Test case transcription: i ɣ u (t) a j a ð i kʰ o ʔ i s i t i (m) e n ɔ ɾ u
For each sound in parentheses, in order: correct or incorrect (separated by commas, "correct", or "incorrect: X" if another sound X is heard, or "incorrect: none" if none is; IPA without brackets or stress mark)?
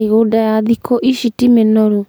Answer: incorrect: d, correct